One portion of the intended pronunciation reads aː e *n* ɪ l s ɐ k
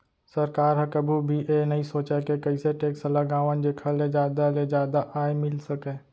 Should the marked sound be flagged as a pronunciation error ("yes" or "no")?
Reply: yes